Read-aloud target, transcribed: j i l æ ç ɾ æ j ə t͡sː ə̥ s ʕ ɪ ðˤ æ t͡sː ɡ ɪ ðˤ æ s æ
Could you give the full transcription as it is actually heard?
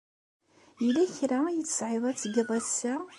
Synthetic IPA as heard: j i l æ ç ɾ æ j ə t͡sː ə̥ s ʕ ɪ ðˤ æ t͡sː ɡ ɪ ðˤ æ s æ